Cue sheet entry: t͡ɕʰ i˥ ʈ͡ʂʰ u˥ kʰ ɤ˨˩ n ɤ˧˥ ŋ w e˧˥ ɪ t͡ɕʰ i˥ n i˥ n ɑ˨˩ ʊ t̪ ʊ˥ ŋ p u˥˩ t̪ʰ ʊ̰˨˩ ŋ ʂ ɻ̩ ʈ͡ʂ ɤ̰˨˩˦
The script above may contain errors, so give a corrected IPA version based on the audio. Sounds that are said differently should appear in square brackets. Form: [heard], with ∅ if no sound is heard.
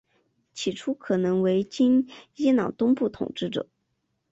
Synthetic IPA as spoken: t͡ɕʰ [i˨˩] ʈ͡ʂʰ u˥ kʰ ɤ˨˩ n ɤ˧˥ ŋ w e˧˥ ɪ [t͡ɕ] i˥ n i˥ n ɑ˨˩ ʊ t̪ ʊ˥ ŋ p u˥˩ t̪ʰ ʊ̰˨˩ ŋ [ʈ͡ʂ] ɻ̩ ʈ͡ʂ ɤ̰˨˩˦

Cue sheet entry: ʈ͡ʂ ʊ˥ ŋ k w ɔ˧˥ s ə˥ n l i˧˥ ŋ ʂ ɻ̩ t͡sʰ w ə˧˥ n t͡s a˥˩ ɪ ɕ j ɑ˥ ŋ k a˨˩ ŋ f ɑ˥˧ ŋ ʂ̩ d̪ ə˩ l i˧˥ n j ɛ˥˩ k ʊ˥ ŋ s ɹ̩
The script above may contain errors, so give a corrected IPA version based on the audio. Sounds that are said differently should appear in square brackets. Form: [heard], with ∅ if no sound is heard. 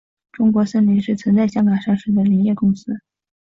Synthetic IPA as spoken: ʈ͡ʂ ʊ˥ ŋ k w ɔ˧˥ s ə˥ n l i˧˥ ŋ ʂ ɻ̩ t͡sʰ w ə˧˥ n t͡s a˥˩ ɪ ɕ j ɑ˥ ŋ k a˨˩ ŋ [ʂ] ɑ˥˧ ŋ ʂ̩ d̪ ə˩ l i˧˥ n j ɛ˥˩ k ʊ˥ ŋ s ɹ̩

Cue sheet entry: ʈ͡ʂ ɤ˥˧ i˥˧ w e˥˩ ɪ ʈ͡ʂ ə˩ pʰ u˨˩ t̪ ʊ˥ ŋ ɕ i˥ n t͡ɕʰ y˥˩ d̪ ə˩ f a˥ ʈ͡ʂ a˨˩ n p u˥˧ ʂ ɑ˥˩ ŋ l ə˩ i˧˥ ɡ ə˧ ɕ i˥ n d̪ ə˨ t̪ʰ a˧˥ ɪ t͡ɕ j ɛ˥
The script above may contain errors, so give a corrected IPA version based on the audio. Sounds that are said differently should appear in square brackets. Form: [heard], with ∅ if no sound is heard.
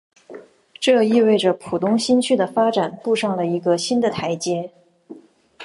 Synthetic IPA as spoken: ʈ͡ʂ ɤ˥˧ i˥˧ w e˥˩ ɪ ʈ͡ʂ ə˩ pʰ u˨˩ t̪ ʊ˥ ŋ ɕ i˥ n t͡ɕʰ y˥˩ d̪ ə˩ f a˥ ʈ͡ʂ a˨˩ n p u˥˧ ʂ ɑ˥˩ ŋ l ə˩ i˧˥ ɡ ə˧ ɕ i˥ n d̪ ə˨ t̪ʰ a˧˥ ɪ t͡ɕ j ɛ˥

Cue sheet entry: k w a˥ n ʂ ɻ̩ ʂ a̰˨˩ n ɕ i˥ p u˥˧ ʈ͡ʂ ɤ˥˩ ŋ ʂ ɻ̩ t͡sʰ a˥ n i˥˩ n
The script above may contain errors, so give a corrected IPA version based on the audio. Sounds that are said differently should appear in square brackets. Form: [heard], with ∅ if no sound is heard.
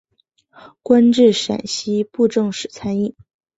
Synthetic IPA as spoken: k w a˥ n [ʈ͡ʂ] ɻ̩ ʂ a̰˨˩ n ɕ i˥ p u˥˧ ʈ͡ʂ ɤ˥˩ ŋ ʂ ɻ̩ t͡sʰ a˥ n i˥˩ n

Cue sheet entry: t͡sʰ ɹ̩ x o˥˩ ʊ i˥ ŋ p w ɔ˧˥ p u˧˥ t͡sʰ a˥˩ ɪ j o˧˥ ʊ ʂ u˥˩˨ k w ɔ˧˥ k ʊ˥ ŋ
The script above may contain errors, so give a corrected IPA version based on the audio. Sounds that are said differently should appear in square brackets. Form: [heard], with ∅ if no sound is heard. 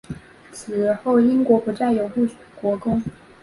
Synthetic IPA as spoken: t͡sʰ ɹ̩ x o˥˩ ʊ i˥ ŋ [k] w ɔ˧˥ p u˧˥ [t͡s] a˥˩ ɪ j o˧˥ ʊ [x] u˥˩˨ k w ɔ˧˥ k ʊ˥ ŋ

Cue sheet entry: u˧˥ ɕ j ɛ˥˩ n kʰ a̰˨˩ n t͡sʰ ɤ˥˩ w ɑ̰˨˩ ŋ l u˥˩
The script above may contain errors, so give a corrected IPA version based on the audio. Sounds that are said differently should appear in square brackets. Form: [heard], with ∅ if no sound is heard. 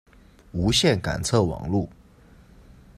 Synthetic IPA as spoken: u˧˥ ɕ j ɛ˥˩ n [k] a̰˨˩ n t͡sʰ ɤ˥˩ w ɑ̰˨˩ ŋ l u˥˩

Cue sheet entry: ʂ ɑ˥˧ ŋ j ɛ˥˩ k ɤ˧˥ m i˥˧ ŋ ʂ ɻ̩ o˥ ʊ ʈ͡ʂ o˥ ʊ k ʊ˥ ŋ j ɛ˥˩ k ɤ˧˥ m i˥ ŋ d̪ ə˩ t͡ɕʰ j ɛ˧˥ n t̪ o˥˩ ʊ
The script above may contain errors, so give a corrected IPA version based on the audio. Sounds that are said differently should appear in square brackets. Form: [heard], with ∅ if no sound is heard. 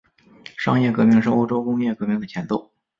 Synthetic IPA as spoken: ʂ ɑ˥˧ ŋ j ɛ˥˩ k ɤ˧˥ m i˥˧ ŋ ʂ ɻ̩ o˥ ʊ ʈ͡ʂ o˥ ʊ k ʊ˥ ŋ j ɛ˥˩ k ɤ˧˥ m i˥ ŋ d̪ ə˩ t͡ɕʰ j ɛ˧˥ n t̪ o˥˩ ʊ

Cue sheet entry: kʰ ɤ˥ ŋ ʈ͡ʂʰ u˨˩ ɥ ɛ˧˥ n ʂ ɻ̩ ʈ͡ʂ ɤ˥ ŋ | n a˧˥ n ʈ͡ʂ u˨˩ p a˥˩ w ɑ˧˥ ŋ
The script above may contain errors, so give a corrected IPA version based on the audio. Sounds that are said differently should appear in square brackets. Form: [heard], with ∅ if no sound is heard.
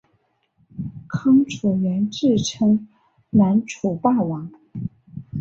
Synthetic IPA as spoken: kʰ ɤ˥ ŋ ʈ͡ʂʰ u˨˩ ɥ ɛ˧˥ n [ʈ͡ʂ] ɻ̩ [ʈ͡ʂʰ] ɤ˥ ŋ | n a˧˥ n [ʈ͡ʂʰ] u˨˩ p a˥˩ w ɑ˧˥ ŋ

